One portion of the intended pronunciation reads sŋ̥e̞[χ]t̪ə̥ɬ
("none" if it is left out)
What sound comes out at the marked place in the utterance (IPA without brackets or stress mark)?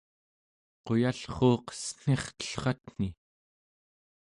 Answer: χ